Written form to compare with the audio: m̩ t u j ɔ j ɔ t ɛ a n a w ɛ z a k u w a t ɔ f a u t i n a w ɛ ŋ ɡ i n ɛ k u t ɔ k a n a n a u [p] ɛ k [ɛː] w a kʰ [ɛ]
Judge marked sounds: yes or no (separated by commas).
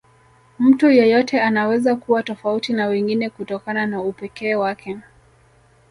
yes, yes, yes